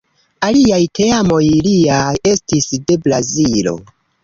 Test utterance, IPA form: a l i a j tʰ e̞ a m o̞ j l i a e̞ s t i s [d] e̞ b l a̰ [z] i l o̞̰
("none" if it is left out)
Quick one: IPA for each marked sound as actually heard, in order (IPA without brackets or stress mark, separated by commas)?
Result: d, z